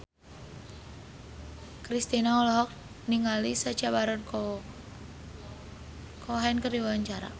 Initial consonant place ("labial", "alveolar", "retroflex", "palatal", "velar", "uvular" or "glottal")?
velar